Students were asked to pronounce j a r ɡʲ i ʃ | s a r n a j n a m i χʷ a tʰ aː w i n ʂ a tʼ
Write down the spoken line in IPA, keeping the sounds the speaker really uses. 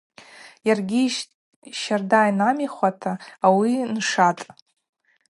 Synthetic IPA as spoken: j a r ɡʲ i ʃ | ʃ a r d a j n a m i χʷ a tʰ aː w i n ʂ a tʼ